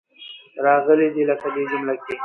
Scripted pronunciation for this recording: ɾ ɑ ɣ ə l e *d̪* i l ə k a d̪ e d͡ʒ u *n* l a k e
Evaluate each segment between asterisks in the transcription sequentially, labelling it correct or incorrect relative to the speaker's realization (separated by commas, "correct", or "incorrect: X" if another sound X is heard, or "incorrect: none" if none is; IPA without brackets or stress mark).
correct, incorrect: m